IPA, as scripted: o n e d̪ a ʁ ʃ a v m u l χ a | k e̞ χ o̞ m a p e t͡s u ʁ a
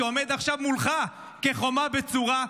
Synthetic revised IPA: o m e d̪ a χ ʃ a v m u l χ a | k e̞ χ o̞ m a b e t͡s u ʁ a